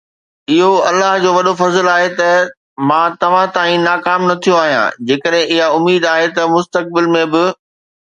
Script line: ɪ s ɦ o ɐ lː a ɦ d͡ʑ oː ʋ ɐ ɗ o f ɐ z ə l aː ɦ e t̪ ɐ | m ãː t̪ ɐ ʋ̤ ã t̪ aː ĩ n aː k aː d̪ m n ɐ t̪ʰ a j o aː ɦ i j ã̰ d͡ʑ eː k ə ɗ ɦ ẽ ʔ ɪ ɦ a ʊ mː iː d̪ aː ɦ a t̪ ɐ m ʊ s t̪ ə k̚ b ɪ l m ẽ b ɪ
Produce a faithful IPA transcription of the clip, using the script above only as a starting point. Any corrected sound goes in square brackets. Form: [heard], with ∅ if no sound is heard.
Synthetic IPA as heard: ɪ [∅] ɦ o ɐ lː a ɦ d͡ʑ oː ʋ ɐ ɗ o f ɐ z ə l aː ɦ e t̪ ɐ | m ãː t̪ ɐ ʋ̤ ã t̪ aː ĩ n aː k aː [∅] m n ɐ t̪ʰ [i] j o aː ɦ i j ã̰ d͡ʑ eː k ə ɗ ɦ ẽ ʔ ɪ ɦ a ʊ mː iː d̪ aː ɦ [e] t̪ ɐ m ʊ s t̪ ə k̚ b ɪ l m ẽ b ɪ

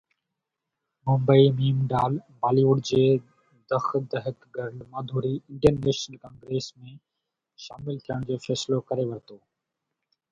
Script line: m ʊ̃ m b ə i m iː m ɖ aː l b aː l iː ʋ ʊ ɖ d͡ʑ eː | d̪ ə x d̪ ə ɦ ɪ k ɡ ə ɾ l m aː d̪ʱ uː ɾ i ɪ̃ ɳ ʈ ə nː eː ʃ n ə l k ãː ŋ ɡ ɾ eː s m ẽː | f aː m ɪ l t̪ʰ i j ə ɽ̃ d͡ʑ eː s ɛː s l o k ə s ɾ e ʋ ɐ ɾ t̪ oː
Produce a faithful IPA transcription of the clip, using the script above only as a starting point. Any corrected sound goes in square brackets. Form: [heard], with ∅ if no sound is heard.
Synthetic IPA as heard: m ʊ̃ m b ə i m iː m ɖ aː l b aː l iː ʋ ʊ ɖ d͡ʑ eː | d̪ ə x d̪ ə ɦ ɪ k ɡ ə ɾ l m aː d̪ʱ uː ɾ i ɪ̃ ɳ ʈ ə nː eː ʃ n ə l k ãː ŋ ɡ ɾ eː s m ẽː | [ʃ] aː m ɪ l t̪ʰ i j ə ɽ̃ d͡ʑ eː [f] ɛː s l o k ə [∅] ɾ e ʋ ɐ ɾ t̪ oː

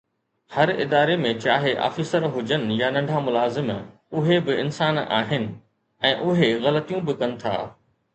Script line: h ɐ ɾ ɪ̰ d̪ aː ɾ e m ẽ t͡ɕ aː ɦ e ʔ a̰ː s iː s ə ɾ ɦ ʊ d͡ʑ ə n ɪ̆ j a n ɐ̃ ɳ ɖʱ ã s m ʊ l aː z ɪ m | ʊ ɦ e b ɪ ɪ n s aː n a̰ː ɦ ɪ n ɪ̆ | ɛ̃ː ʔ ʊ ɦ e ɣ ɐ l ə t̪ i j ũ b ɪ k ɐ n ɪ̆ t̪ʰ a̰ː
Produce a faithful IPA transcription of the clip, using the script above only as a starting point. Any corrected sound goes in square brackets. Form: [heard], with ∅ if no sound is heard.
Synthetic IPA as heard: h ɐ ɾ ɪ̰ d̪ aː ɾ e m ẽ t͡ɕ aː ɦ e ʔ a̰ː [f] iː s ə ɾ ɦ ʊ d͡ʑ ə n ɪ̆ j a n ɐ̃ ɳ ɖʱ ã [∅] m ʊ l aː z ɪ m | ʊ ɦ e b ɪ ɪ n s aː n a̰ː ɦ ɪ n ɪ̆ | ɛ̃ː ʔ ʊ ɦ e ɣ ɐ l ə t̪ i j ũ b ɪ k ɐ n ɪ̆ t̪ʰ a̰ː

